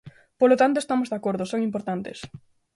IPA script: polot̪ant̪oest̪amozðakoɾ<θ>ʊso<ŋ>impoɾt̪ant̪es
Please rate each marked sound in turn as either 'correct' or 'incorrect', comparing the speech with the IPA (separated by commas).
incorrect, correct